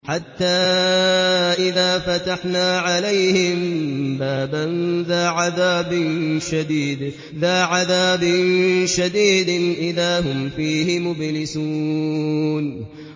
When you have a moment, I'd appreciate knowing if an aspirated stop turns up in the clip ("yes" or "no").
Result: no